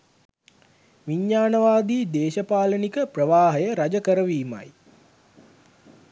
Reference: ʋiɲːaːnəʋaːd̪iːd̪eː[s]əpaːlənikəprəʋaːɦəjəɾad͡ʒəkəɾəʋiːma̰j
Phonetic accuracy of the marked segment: incorrect: ʃ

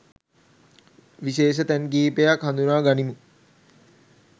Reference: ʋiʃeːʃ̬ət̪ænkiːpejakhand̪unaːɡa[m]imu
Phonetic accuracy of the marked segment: incorrect: n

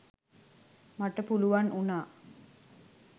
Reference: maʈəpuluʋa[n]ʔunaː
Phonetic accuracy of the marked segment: correct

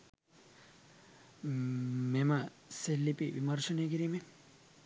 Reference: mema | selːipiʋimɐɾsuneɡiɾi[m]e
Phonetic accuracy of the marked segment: correct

